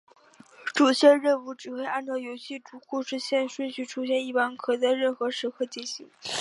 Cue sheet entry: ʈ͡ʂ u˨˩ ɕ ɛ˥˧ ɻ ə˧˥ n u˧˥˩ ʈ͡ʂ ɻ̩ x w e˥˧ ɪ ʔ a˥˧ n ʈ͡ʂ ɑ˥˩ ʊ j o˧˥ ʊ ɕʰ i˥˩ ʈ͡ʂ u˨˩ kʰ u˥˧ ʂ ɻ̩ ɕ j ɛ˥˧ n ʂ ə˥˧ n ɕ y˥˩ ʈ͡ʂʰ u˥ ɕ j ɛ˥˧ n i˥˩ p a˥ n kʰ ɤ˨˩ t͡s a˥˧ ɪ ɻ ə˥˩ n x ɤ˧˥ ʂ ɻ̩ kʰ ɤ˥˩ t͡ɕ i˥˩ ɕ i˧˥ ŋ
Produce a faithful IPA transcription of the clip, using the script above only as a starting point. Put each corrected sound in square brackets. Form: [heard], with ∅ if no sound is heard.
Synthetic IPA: ʈ͡ʂ u˨˩ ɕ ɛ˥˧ ɻ [ə˥˧] n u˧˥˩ ʈ͡ʂ ɻ̩ x w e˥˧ ɪ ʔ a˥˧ n ʈ͡ʂ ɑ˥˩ ʊ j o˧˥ ʊ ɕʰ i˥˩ ʈ͡ʂ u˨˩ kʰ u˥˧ ʂ ɻ̩ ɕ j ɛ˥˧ n ʂ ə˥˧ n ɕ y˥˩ ʈ͡ʂʰ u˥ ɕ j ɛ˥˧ n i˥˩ p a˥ n kʰ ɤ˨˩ t͡s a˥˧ ɪ ɻ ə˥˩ n x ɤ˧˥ ʂ ɻ̩ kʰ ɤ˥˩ t͡ɕ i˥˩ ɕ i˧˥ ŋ